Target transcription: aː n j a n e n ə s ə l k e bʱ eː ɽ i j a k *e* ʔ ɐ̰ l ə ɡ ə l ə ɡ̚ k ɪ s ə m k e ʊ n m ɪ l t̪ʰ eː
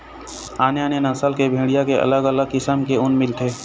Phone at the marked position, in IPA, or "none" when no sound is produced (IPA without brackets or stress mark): e